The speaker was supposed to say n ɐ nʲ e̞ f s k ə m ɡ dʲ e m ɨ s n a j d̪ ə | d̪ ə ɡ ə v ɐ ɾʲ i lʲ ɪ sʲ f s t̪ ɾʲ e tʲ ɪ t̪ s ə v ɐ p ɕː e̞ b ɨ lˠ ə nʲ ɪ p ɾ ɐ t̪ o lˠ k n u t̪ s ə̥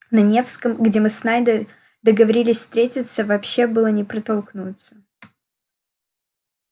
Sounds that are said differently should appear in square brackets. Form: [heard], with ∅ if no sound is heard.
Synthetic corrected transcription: n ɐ nʲ e̞ f s k ə m ɡ dʲ e m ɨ s n a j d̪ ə | d̪ ə ɡ ə v ɐ ɾʲ i lʲ ɪ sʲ f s t̪ ɾʲ e tʲ ɪ t̪ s ə v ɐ p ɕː e̞ b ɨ lˠ ə nʲ ɪ p ɾ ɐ t̪ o lˠ k n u t̪ s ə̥